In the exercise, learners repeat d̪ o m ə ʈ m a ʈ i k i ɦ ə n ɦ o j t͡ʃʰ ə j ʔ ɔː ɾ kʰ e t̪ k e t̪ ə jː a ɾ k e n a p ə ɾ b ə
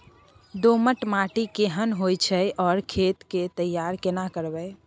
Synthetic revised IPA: d̪ o m ə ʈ m a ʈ i k e ɦ ə n ɦ o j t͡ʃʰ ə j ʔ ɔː ɾ kʰ e t̪ k e t̪ ə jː a ɾ k e n a k ə ɾ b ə